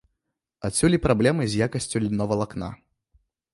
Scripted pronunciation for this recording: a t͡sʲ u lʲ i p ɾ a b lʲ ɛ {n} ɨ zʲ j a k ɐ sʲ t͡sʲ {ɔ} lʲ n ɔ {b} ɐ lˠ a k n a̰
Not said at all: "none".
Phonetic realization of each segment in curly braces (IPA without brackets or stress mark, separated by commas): m, u, v